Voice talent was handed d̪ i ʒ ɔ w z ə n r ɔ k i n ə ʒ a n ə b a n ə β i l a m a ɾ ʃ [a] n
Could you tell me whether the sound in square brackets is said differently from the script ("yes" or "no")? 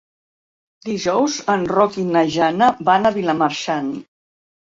no